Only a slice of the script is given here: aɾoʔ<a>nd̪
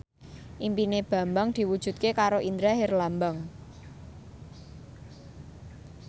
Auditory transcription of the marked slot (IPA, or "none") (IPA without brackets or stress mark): i